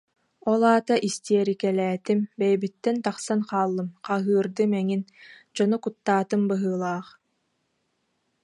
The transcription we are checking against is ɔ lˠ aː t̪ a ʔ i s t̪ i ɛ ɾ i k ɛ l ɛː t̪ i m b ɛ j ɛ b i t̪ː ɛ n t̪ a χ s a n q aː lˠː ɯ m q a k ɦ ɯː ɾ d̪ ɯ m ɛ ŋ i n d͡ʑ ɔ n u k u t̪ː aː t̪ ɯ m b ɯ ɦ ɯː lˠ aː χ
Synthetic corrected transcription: ɔ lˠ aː t̪ a ʔ i s t̪ i ɛ ɾ i k ɛ l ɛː t̪ i m b ɛ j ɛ b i t̪ː ɛ n t̪ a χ s a n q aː lˠː ɯ m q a ɦ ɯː ɾ d̪ ɯ m ɛ ŋ i n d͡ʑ ɔ n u k u t̪ː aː t̪ ɯ m b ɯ ɦ ɯː lˠ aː χ